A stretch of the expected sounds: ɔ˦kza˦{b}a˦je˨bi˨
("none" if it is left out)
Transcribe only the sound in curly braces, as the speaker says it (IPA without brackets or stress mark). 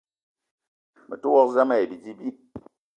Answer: m